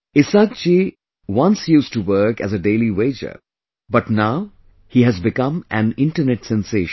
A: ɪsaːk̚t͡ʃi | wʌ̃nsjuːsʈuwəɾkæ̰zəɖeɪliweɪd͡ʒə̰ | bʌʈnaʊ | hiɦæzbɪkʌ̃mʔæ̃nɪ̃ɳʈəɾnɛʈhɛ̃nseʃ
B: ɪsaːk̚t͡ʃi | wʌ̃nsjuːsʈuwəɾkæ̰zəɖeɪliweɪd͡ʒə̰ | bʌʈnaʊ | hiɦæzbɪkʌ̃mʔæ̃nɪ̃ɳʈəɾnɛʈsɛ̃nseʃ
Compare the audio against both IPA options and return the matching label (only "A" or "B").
B